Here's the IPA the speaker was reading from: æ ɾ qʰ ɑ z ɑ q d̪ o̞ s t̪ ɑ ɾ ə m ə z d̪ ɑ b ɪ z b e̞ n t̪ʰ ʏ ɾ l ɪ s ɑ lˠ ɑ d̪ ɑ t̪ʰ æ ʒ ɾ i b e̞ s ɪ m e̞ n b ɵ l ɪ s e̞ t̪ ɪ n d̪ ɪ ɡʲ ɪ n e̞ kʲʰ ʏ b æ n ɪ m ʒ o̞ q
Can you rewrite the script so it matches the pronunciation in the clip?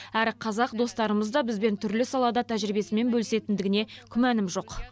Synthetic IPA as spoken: æ ɾ qʰ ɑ z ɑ q d̪ o̞ s t̪ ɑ ɾ ə m ə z d̪ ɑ b ɪ z b e̞ n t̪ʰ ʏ ɾ l ɪ s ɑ lˠ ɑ d̪ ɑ t̪ʰ æ ʒ ɾ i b e̞ s ɪ m e̞ n b ɵ l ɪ s e̞ t̪ ɪ n d̪ ɪ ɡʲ ɪ n e̞ kʲʰ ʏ m æ n ɪ m ʒ o̞ q